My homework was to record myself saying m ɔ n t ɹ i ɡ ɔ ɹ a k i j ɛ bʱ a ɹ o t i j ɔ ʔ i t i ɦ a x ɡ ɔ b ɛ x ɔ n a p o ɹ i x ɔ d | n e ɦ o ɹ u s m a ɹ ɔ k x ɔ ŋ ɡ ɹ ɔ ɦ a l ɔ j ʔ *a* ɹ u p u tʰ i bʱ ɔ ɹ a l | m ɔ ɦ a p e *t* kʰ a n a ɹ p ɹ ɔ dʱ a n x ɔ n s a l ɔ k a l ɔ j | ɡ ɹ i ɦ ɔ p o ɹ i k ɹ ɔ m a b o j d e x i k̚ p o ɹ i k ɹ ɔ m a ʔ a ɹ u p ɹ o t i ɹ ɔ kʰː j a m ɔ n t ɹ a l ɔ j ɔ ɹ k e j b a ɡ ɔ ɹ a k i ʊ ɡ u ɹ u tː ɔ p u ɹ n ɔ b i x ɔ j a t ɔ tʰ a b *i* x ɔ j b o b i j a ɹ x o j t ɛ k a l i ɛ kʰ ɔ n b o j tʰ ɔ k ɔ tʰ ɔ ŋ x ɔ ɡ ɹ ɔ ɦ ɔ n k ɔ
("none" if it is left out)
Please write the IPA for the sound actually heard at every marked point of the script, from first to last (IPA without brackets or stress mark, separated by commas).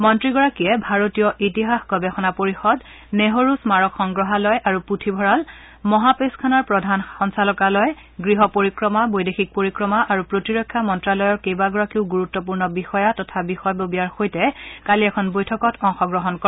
a, s, i